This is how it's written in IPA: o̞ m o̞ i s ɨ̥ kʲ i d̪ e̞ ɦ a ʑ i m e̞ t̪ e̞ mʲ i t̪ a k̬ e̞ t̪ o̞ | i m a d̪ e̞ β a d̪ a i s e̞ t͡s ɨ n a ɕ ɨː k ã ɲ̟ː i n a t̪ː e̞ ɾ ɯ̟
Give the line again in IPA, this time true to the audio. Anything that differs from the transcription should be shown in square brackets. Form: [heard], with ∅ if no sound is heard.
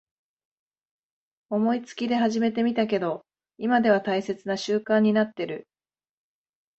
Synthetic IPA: o̞ m o̞ i [t͡s] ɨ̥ kʲ i d̪ e̞ ɦ a ʑ i m e̞ t̪ e̞ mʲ i t̪ a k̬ e̞ [d̪] o̞ | i m a d̪ e̞ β a [t̪] a i s e̞ t͡s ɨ n a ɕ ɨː k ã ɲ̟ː i n a t̪ː e̞ ɾ ɯ̟